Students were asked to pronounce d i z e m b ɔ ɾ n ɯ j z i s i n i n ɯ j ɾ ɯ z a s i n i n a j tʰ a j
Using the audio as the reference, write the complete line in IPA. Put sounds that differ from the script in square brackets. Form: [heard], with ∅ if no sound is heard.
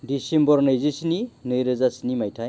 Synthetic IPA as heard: d i [s] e m b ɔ ɾ n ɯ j z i s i n i n ɯ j ɾ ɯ z a s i n i [m] a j tʰ a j